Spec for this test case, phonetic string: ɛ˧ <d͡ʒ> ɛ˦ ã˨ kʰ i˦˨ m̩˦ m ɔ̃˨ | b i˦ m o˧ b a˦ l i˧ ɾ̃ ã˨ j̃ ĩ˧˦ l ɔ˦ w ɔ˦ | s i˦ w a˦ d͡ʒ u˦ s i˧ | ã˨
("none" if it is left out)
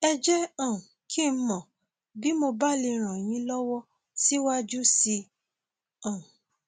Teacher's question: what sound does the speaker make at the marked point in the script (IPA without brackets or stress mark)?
d͡ʒ